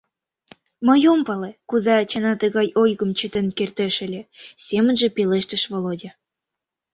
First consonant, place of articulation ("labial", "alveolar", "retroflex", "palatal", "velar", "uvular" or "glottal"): labial